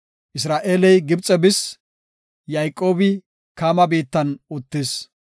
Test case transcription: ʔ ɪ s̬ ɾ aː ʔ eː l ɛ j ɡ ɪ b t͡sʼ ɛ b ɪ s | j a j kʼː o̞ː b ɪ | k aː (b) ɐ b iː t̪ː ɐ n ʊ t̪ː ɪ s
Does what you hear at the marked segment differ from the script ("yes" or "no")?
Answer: yes